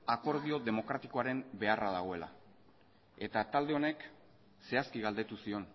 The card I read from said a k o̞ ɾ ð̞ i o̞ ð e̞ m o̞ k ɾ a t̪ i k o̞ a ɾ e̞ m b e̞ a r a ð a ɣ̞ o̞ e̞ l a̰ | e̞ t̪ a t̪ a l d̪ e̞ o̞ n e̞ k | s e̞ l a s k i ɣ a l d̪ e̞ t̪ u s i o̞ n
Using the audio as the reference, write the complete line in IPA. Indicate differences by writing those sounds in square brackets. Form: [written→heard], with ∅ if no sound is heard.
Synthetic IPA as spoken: a k o̞ ɾ ð̞ i o̞ ð e̞ m o̞ k ɾ a t̪ i k o̞ a ɾ e̞ m b e̞ a r a ð a ɣ̞ o̞ e̞ l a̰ | e̞ t̪ a t̪ a l d̪ e̞ o̞ n e̞ k | s e̞ [l→∅] a s k i ɣ a l d̪ e̞ t̪ u s i o̞ n